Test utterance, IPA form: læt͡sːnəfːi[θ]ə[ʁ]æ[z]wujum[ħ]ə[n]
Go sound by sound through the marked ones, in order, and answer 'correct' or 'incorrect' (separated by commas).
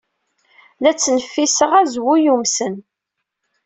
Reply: incorrect, correct, correct, incorrect, correct